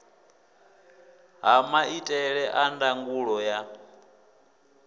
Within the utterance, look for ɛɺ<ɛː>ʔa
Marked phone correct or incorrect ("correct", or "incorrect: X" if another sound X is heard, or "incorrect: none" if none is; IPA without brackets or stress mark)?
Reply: incorrect: ɛ